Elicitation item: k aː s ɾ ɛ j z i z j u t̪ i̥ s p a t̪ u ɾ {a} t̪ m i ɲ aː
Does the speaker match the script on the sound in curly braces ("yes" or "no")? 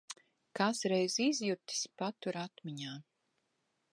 yes